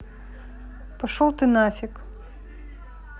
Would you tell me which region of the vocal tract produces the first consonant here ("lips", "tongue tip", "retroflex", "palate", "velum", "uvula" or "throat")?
lips